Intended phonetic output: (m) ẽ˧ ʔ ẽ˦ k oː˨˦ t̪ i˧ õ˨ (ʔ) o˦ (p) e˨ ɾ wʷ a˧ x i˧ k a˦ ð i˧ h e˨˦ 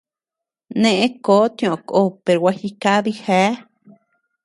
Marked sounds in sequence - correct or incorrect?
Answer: incorrect, incorrect, correct

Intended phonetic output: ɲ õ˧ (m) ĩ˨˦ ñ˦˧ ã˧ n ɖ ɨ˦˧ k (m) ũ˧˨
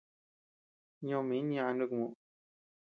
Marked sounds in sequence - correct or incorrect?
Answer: correct, correct

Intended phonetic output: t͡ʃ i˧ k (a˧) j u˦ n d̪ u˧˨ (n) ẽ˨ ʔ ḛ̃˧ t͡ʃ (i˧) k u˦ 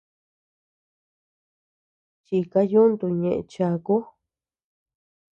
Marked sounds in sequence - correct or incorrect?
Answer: correct, incorrect, incorrect

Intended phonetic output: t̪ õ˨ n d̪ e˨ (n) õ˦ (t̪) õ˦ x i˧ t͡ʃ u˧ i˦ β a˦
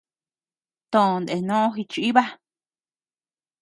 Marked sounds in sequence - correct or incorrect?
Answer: correct, incorrect

